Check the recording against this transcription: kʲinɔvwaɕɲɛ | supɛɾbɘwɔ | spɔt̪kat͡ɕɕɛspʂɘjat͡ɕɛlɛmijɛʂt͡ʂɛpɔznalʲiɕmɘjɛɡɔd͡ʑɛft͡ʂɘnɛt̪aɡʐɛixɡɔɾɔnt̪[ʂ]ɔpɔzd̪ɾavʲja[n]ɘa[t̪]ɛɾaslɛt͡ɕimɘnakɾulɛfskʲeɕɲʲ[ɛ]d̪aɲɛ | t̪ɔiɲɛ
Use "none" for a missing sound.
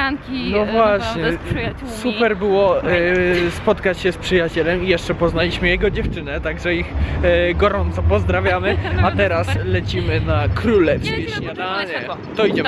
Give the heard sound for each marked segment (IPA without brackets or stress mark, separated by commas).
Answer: s, m, t̪, a